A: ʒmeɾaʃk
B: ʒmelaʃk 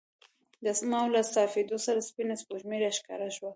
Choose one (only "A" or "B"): A